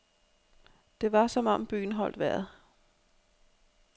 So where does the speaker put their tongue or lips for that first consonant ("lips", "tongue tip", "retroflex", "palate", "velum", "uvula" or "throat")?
tongue tip